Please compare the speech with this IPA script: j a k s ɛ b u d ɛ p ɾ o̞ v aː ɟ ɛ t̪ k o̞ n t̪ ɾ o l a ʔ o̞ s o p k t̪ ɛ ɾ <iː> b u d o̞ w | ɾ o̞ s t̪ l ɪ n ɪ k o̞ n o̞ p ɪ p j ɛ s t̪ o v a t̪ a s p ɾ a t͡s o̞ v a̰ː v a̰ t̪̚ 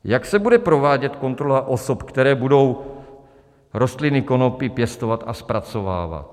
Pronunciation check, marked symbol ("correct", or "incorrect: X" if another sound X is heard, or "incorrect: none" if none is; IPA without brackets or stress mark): incorrect: ɛː